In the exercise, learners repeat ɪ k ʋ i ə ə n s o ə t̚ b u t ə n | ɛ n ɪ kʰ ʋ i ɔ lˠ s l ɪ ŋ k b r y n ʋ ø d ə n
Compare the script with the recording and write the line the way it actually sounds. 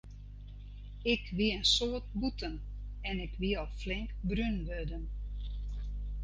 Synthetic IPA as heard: ɪ k ʋ i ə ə n s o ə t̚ b u t ə n | ɛ n ɪ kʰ ʋ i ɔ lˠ f l ɪ ŋ k b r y n ʋ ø d ə n

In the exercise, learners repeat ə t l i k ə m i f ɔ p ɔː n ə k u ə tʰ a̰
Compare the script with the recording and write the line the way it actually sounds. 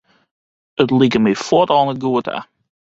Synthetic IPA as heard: ə t l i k ə m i f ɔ t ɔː n ə ɡ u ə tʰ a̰

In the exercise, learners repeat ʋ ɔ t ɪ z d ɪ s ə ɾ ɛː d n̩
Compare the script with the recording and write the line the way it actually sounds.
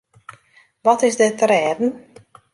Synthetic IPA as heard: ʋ ɔ t ɪ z d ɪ t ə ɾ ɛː d n̩

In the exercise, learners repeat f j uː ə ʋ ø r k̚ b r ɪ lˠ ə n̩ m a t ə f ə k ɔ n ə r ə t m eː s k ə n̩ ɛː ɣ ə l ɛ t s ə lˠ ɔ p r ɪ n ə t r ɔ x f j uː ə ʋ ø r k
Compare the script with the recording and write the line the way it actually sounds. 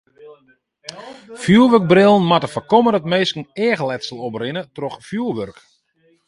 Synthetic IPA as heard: f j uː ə ʋ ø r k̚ b r ɪ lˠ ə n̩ m a t ə f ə k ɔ m ə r ə t m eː s k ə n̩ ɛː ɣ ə l ɛ t s ə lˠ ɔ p r ɪ n ə t r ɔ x f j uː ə ʋ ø r k

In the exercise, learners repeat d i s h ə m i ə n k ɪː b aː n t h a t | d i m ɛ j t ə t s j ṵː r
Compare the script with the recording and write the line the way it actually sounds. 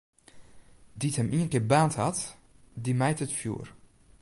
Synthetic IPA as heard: d i t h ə m i ə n k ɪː b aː n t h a t | d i m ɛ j t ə t f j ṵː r

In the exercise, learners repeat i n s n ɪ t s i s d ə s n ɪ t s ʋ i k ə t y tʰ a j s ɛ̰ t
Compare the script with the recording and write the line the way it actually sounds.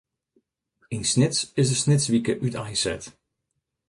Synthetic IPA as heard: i n s n ɪ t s ɪ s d ə s n ɪ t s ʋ i k ə ʔ y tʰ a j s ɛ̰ t

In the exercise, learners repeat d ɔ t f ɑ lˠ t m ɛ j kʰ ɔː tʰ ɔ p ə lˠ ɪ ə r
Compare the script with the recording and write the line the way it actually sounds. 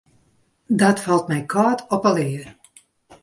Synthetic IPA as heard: d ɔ t f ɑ lˠ t m ɛ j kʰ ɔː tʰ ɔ p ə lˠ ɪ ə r

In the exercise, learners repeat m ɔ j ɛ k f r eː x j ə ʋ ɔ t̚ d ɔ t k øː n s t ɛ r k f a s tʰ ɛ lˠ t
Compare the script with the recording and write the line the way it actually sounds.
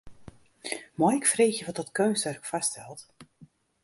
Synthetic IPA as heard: m ɔ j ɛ k f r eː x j ə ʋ ɔ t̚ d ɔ t k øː n s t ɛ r k f a s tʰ ɛ lˠ t

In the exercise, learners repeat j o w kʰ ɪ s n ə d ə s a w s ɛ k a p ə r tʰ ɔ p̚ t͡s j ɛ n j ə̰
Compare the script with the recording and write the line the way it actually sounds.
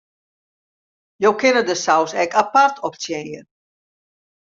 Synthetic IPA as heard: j o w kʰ ɪ n ə d ə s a w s ɛ k a p a r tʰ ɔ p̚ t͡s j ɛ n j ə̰

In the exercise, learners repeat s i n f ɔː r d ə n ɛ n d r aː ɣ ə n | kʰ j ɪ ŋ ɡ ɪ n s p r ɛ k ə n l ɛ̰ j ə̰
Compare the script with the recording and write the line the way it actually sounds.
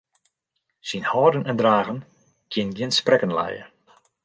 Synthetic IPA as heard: s i n h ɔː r d ə n ɛ n d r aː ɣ ə n | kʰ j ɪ n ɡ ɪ n s p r ɛ k ə n l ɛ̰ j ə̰

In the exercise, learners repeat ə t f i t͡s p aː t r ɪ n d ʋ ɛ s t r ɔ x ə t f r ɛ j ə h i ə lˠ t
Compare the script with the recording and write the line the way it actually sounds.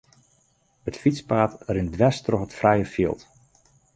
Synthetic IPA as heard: ə t f i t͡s p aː t r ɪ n d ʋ ɛ s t r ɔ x ə t f r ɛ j ə f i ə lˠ t

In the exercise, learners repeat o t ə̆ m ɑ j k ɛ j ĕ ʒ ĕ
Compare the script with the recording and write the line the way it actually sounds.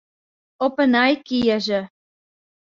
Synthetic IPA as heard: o p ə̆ n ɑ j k i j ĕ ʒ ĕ

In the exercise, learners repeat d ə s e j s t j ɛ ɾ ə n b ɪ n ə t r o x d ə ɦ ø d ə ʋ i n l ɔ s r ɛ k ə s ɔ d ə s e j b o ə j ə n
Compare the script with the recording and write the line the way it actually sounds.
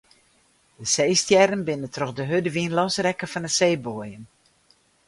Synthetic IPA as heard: d ə s e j s t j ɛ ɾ ə n b ɪ n ə t r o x d ə ɦ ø d ə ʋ i n l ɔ s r ɛ k ə f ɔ n ə s e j b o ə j ə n

